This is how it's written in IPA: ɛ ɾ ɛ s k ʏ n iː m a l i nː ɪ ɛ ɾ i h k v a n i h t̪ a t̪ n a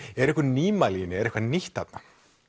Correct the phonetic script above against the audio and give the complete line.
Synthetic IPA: ɛ ɾ ɛ h k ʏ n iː m a l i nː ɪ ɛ ɾ ɛ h k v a n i h t̪ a t̪ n a